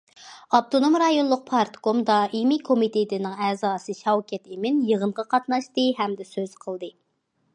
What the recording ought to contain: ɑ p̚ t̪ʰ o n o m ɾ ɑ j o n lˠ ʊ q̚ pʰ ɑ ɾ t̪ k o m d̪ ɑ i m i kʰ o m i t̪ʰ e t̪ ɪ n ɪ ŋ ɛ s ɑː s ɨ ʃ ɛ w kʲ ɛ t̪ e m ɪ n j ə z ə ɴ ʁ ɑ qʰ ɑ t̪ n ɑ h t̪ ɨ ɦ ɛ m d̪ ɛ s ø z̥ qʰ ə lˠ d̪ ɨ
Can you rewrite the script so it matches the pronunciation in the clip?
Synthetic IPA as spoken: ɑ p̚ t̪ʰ o n o m ɾ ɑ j o n lˠ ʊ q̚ pʰ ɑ ɾ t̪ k o m d̪ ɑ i m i kʰ o m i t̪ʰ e t̪ ɪ n ɪ ŋ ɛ z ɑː s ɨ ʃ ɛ w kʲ ɛ t̪ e m ɪ n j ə ʁ ə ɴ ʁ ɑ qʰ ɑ t̪ n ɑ ʃ t̪ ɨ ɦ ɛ m d̪ ɛ s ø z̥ qʰ ə lˠ d̪ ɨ